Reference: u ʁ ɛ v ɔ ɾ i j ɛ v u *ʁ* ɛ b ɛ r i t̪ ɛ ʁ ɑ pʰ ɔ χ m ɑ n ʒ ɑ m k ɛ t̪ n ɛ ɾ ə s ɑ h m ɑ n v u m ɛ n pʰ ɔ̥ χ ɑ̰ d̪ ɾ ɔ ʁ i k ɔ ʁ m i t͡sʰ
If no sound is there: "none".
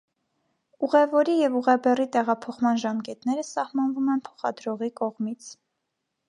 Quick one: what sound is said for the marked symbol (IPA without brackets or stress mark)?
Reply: ʁ